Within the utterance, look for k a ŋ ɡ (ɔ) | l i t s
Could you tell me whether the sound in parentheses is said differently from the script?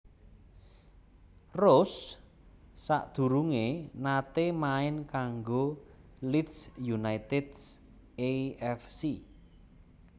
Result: yes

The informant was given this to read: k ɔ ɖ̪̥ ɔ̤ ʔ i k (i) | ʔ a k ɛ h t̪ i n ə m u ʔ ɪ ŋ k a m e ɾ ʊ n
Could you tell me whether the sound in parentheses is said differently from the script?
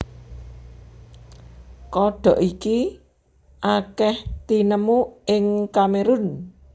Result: no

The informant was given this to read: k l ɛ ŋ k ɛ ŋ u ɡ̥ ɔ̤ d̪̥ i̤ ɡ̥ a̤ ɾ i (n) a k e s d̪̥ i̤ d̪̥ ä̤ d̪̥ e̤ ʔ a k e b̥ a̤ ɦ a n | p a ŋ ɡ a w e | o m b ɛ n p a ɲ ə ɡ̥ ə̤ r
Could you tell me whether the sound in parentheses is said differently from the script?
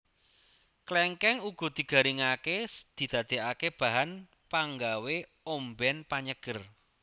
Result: yes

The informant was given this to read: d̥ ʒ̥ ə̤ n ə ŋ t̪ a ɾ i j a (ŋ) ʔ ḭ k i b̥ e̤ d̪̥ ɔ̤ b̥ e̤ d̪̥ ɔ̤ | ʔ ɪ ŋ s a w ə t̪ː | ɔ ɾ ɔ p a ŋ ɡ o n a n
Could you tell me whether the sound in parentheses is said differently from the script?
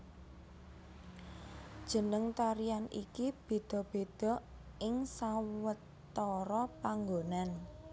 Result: yes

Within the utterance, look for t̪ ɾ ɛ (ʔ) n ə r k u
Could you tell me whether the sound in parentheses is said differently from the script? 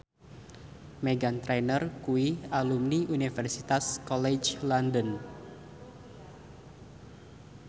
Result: yes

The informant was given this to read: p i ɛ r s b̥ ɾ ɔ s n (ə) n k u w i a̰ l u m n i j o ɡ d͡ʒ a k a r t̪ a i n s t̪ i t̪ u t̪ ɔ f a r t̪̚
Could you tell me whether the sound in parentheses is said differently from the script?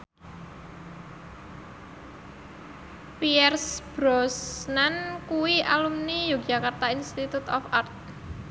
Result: yes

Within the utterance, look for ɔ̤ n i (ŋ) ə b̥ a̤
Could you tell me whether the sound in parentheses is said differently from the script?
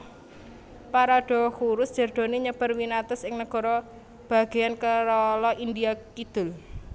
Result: yes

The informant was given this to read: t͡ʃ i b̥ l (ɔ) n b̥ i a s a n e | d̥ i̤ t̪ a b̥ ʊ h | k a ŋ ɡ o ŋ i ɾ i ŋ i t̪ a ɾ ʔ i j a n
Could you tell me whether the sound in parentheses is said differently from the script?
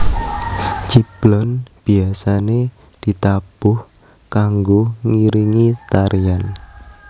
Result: no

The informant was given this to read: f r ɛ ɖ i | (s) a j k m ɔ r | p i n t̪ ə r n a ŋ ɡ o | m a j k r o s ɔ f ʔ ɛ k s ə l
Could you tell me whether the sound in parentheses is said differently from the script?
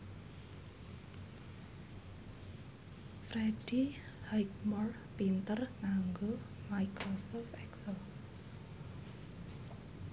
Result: yes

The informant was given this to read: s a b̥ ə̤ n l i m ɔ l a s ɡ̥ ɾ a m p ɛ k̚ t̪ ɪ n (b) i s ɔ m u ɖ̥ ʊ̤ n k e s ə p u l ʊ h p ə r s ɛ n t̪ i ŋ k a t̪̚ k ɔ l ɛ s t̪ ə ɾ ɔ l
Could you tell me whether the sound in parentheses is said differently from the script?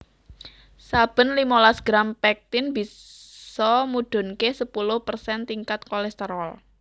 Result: no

